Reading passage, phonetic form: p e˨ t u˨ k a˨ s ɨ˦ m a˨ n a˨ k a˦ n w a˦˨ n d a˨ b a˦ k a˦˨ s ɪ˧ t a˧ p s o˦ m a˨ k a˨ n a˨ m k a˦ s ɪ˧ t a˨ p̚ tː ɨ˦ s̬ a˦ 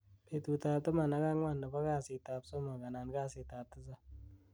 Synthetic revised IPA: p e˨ t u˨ t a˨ t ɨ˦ m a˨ n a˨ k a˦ ŋ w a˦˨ n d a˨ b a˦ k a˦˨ s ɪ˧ t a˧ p s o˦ m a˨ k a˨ n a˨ n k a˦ s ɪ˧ t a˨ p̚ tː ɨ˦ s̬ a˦